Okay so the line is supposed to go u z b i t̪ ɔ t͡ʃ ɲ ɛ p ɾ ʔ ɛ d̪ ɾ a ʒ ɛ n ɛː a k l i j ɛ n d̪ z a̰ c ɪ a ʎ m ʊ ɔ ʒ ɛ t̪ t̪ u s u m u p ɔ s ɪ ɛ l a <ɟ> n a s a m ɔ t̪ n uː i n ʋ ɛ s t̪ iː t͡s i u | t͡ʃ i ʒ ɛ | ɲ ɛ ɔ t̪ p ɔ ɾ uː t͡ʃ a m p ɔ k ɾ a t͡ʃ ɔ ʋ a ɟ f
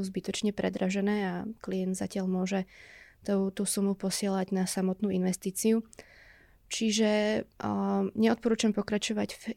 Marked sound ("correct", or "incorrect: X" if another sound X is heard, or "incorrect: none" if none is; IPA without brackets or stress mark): correct